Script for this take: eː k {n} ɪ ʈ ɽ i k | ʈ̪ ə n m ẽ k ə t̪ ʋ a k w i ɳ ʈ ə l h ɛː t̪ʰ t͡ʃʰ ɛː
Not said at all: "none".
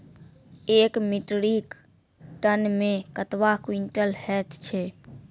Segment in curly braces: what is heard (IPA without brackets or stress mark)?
m